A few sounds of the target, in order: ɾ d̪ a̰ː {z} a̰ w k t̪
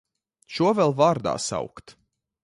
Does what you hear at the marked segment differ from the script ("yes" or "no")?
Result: yes